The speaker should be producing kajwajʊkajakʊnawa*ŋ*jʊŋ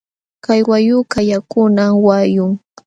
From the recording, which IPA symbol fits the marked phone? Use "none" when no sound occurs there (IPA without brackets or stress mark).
none